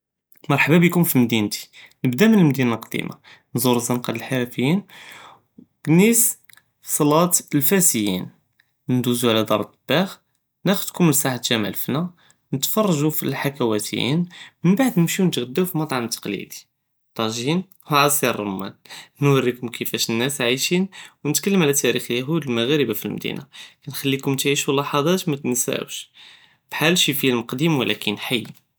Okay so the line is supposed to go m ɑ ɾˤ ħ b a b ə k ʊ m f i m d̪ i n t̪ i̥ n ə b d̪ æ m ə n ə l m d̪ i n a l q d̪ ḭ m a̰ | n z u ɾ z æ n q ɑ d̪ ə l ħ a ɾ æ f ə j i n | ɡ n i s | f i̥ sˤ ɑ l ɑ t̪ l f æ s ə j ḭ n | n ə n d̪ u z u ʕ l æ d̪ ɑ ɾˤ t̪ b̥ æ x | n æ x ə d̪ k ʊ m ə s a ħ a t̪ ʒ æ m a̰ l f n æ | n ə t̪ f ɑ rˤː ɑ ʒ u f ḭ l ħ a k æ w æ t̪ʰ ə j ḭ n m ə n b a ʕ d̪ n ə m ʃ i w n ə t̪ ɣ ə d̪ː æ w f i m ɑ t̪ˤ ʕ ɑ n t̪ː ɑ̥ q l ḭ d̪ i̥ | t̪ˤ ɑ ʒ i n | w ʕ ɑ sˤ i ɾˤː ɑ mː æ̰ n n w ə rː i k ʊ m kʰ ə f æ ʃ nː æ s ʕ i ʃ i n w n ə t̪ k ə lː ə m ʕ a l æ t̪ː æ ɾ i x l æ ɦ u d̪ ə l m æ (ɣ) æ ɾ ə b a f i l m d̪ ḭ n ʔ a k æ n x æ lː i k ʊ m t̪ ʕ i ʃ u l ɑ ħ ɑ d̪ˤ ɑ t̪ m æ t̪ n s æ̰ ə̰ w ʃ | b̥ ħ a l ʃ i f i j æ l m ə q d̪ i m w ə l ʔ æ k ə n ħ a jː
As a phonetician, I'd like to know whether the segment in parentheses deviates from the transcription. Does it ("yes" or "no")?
no